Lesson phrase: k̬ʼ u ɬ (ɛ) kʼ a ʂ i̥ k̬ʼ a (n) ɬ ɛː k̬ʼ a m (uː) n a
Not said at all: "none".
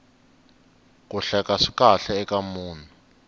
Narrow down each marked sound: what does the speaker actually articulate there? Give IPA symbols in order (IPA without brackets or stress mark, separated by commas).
ɛ, none, uː